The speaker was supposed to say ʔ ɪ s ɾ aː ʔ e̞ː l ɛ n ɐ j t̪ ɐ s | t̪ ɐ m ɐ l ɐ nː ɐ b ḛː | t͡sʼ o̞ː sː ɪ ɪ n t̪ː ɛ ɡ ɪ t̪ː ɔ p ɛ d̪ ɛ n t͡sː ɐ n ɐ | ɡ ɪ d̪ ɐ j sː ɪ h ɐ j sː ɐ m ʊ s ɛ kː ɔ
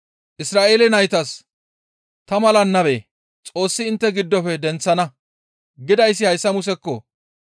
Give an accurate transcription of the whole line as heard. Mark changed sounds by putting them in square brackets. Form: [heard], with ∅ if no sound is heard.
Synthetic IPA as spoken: ʔ ɪ s ɾ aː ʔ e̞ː l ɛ n ɐ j t̪ ɐ s | t̪ ɐ m ɐ l ɐ nː ɐ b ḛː | t͡sʼ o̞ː sː ɪ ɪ n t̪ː ɛ ɡ ɪ [d̪ː] ɔ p ɛ d̪ ɛ n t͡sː ɐ n ɐ | ɡ ɪ d̪ ɐ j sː ɪ h ɐ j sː ɐ m ʊ s ɛ kː ɔ

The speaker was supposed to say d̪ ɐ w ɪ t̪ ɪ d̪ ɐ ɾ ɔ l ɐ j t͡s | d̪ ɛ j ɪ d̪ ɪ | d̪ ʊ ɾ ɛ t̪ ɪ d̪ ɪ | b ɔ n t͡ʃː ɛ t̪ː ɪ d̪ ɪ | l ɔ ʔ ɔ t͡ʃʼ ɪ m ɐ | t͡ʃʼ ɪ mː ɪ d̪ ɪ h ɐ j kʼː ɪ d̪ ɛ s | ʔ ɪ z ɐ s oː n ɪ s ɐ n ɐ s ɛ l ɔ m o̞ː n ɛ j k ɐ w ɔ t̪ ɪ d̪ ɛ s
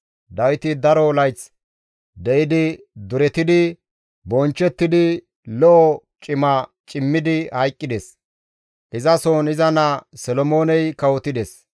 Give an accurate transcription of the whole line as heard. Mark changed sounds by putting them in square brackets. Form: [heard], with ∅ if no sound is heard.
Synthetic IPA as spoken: d̪ ɐ w ɪ t̪ ɪ d̪ ɐ ɾ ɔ l ɐ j t͡s | d̪ ɛ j ɪ d̪ ɪ | d̪ ʊ ɾ ɛ t̪ ɪ d̪ ɪ | b ɔ n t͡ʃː ɛ t̪ː ɪ d̪ ɪ | l ɔ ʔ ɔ t͡ʃʼ ɪ m ɐ | t͡ʃʼ ɪ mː ɪ d̪ ɪ h ɐ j kʼː ɪ d̪ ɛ s | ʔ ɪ z ɐ s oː n ɪ [z] ɐ n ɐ s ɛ l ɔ m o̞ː n ɛ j k ɐ w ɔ t̪ ɪ d̪ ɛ s

